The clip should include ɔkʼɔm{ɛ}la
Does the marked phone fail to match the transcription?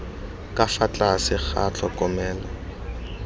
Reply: yes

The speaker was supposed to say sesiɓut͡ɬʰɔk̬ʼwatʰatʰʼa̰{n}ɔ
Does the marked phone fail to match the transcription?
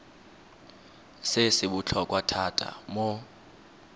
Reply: yes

